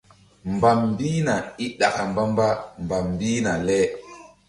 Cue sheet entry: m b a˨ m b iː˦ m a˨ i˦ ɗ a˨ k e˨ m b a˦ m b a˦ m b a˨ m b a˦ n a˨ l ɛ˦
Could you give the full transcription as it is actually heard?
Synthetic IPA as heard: m b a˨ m b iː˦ n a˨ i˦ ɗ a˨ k a˨ m b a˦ m b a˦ m b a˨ m b i˦ n a˨ l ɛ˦

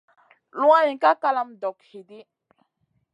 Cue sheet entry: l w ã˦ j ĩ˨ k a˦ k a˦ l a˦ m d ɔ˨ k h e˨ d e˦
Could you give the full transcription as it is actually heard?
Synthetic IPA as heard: l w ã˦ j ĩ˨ k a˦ k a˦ l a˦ m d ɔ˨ k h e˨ d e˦

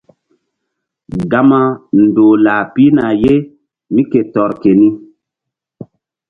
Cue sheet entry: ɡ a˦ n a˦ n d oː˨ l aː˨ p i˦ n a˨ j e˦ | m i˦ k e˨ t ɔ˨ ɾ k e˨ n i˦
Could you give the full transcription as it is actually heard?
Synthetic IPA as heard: ɡ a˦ m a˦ n d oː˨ l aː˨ p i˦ n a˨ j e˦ | m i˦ k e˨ t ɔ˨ ɾ k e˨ n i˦

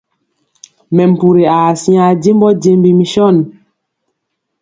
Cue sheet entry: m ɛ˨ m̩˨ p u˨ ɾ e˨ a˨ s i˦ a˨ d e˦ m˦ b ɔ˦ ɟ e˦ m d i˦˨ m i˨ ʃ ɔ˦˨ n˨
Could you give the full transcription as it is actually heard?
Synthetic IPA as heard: m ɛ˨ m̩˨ p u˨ ɾ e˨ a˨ s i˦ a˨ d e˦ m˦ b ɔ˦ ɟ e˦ m b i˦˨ m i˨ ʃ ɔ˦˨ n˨

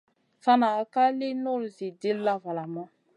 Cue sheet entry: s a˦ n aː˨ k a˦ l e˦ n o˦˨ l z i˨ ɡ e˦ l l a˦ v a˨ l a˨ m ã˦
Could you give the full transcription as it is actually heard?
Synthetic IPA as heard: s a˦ n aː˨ k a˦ l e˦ n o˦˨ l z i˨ d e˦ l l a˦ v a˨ l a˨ m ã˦

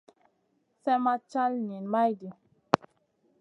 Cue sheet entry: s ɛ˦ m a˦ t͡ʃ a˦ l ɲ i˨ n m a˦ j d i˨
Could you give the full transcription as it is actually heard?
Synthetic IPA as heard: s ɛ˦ m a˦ t͡ʃ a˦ l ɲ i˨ n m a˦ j d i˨

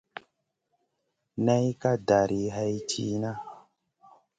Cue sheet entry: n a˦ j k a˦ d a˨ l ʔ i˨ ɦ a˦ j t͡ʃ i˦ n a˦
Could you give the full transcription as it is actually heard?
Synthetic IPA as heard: n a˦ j k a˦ d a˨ ɾ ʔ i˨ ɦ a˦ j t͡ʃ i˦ n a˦

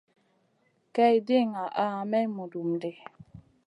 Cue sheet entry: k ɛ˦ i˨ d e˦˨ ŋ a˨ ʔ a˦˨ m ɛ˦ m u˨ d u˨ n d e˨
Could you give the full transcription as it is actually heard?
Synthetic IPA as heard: k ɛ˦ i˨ d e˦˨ ŋ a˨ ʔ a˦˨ m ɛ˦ m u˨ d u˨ m d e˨

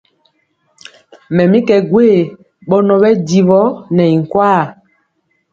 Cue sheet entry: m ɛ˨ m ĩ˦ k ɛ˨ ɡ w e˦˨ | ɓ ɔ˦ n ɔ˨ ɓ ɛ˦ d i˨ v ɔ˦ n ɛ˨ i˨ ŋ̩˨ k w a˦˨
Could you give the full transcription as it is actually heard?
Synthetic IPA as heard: m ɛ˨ m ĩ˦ k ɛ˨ ɡ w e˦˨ | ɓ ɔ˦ n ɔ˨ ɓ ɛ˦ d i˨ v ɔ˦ n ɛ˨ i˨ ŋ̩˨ k w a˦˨

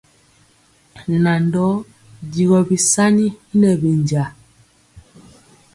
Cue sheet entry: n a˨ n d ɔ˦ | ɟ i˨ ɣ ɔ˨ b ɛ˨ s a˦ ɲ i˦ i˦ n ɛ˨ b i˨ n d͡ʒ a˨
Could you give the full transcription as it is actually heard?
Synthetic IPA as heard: n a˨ n d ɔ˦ | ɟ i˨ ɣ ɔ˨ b i˨ s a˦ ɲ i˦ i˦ n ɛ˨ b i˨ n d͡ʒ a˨

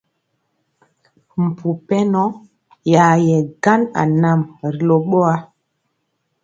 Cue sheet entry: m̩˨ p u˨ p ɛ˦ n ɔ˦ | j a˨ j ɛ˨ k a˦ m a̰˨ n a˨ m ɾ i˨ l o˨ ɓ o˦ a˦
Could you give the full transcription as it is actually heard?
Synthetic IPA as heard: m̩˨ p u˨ p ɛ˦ n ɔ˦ | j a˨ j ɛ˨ ɡ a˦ n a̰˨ n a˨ m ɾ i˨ l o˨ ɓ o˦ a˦

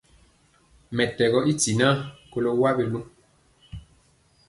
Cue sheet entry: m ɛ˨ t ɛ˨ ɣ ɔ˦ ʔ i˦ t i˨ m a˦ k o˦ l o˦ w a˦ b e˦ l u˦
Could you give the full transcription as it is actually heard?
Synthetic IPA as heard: m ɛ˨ t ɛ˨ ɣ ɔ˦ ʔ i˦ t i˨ n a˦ k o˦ l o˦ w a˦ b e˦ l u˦

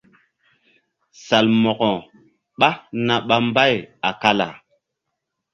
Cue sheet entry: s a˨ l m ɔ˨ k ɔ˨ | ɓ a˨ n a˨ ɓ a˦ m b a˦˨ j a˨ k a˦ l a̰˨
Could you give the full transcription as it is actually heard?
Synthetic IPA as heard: s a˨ l m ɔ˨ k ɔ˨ | ɓ a˦ n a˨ ɓ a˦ m b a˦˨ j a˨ k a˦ l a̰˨

